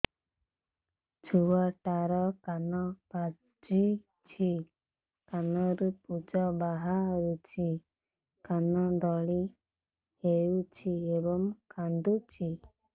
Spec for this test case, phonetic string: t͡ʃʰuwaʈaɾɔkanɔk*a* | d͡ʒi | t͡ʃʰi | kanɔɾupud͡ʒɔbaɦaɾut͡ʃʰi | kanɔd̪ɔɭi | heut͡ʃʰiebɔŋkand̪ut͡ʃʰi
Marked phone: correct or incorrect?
correct